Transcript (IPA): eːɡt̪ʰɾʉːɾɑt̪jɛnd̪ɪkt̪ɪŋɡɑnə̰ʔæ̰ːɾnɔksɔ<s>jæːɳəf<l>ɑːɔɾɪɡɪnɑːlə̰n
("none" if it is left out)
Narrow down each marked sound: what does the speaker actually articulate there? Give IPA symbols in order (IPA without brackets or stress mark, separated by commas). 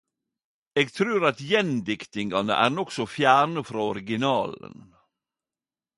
f, ɾ